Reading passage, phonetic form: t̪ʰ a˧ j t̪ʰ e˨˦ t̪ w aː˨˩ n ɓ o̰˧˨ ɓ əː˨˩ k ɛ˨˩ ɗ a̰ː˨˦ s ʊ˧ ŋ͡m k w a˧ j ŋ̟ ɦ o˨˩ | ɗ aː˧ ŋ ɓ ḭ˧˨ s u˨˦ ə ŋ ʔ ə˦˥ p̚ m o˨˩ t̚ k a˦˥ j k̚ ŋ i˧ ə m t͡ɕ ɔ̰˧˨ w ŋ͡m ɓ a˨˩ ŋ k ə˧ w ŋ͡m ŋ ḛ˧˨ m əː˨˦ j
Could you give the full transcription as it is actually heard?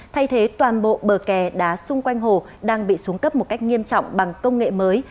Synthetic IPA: t̪ʰ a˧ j t̪ʰ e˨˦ t̪ w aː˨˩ n ɓ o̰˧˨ ɓ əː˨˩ k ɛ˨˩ ɗ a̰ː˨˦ s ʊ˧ ŋ͡m k w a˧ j ŋ̟ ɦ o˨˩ | ɗ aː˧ ŋ ɓ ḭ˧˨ s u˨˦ ə ŋ k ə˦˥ p̚ m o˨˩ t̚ k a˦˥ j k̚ ŋ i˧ ə m t͡ɕ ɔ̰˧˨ w ŋ͡m ɓ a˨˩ ŋ k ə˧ w ŋ͡m ŋ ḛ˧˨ m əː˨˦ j